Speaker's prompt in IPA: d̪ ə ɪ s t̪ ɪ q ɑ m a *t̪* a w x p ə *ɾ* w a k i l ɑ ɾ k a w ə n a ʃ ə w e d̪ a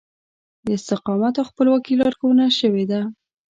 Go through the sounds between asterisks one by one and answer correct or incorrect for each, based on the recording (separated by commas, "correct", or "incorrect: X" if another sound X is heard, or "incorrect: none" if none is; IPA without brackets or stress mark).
correct, incorrect: l